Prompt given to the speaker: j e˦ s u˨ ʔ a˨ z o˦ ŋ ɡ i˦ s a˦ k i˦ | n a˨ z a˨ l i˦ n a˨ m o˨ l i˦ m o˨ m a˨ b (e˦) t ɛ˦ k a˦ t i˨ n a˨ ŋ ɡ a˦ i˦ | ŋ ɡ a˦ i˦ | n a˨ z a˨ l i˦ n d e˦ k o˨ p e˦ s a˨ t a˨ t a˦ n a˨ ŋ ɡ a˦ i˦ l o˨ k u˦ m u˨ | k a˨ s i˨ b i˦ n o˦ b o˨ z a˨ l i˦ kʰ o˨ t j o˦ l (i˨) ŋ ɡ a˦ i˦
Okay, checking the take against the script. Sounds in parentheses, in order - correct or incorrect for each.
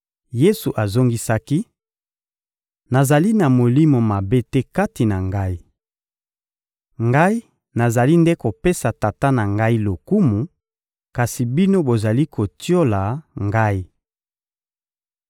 correct, incorrect: a˨

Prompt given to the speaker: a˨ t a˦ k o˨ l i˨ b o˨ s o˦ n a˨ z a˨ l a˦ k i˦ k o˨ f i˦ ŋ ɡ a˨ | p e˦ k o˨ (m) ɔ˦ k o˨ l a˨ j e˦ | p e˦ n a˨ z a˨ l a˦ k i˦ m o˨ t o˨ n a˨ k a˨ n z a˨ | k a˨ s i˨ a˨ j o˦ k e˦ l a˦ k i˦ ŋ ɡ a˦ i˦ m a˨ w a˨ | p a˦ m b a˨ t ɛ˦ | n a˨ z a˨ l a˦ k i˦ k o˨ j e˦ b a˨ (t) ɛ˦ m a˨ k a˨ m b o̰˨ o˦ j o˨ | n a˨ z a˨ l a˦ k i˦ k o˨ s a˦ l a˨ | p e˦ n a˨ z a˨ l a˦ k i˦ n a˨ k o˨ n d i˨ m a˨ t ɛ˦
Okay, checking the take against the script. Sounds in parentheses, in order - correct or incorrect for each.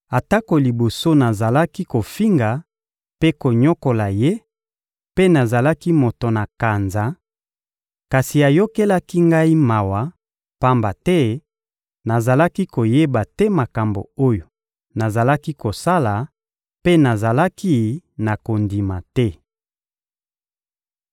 incorrect: ɲ, correct

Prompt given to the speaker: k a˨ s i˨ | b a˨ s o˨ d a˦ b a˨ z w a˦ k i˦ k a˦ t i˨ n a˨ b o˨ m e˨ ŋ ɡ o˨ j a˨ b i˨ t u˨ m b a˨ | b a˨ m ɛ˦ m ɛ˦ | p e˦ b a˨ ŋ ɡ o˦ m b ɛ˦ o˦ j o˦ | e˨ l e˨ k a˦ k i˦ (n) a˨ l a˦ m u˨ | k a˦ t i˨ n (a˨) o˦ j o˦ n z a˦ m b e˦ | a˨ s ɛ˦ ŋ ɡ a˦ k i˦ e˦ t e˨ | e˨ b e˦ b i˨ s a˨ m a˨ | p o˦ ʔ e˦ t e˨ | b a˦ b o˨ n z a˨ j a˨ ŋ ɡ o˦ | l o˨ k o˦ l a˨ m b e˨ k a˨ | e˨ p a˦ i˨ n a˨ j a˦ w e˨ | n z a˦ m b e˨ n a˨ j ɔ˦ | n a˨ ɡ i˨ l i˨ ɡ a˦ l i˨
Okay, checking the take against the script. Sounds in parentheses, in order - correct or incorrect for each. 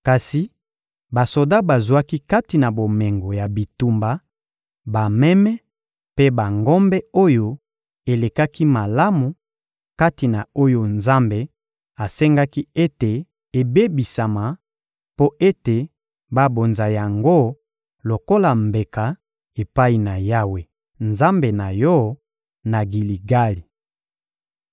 incorrect: m, correct

